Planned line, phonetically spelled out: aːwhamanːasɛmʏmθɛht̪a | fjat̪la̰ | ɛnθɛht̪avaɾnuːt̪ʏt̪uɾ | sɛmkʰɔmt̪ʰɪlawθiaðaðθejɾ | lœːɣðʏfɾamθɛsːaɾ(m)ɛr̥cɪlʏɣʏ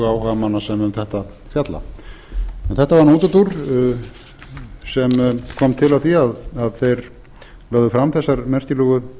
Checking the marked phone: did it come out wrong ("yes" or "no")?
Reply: no